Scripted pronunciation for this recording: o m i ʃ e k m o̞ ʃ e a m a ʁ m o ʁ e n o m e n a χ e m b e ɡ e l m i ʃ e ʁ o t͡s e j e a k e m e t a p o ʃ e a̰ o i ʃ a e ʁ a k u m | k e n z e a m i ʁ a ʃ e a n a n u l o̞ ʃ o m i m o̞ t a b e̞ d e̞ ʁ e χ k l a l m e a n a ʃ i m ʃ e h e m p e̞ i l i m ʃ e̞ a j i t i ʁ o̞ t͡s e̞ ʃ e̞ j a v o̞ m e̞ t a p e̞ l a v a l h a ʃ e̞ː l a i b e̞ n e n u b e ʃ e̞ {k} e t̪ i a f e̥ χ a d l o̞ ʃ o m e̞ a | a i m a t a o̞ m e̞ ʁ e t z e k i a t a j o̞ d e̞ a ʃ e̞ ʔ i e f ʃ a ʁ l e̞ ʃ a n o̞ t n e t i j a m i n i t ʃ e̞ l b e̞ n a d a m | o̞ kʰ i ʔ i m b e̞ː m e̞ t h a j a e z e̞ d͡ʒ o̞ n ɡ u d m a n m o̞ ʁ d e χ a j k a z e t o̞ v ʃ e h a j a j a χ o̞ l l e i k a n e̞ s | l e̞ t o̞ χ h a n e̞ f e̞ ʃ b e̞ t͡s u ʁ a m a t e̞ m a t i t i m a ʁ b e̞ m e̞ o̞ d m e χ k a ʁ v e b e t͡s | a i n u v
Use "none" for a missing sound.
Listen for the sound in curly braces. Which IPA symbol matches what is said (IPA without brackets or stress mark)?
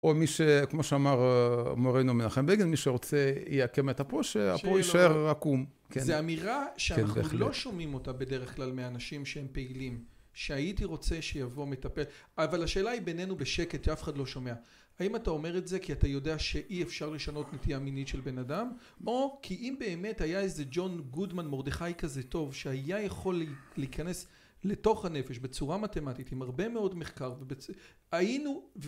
k